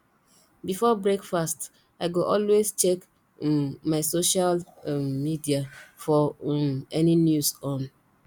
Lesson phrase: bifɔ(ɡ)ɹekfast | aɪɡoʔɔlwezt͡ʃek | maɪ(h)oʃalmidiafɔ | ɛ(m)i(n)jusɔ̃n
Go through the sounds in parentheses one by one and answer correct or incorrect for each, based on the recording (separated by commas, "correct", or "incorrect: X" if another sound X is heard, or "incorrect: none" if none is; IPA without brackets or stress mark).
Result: incorrect: b, incorrect: s, incorrect: n, correct